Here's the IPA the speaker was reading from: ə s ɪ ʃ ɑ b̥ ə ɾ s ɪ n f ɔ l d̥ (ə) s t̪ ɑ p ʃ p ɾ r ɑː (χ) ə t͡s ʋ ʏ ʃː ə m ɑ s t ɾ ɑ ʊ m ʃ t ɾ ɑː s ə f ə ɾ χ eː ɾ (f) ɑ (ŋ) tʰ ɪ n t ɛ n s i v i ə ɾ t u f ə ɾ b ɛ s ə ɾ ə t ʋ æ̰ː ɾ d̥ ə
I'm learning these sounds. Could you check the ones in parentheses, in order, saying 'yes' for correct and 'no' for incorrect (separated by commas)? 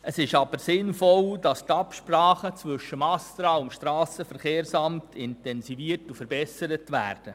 no, yes, no, no